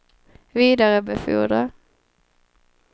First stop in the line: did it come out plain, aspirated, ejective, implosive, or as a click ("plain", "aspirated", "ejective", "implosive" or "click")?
plain